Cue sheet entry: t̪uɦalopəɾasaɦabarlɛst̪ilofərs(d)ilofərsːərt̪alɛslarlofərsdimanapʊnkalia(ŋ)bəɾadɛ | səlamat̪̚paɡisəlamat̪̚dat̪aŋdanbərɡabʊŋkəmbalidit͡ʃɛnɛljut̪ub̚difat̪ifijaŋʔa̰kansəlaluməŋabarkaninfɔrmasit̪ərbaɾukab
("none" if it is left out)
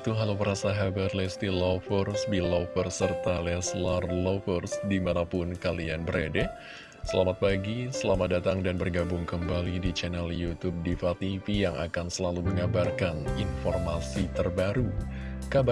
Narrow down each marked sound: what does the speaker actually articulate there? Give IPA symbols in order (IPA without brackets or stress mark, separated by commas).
b, n